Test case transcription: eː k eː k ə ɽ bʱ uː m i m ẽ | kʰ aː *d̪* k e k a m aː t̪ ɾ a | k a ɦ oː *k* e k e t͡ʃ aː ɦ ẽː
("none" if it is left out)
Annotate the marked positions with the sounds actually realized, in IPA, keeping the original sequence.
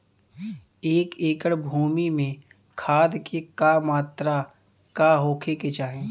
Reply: d̪, kʰ

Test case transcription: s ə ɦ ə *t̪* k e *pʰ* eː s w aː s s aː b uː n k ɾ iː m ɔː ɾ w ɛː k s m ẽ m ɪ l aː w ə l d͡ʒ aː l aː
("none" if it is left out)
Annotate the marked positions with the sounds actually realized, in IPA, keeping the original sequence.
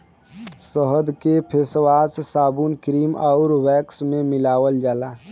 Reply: d̪, pʰ

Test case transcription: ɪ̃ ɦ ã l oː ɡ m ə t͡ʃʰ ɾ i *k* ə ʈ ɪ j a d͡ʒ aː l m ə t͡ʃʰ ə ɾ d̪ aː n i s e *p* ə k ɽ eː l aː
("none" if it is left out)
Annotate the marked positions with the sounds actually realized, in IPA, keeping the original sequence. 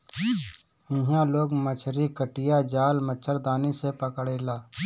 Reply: k, p

